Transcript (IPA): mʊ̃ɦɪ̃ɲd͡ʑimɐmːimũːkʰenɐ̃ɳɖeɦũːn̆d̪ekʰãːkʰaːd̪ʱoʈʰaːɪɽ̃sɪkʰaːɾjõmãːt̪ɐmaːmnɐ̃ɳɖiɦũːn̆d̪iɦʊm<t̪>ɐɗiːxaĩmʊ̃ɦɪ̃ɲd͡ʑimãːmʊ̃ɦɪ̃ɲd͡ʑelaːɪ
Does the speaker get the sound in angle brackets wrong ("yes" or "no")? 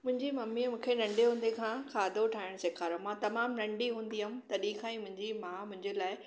no